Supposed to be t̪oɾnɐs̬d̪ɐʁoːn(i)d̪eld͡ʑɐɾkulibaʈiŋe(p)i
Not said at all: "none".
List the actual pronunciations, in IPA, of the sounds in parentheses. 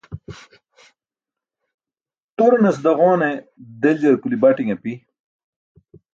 e, p

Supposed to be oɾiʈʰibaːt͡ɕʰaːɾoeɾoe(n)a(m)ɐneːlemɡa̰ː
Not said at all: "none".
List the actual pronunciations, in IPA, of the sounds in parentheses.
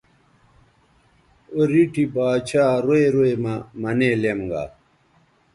m, m

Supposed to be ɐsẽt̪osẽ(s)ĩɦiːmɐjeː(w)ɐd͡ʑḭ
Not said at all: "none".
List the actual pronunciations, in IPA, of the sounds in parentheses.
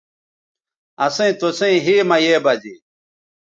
none, b

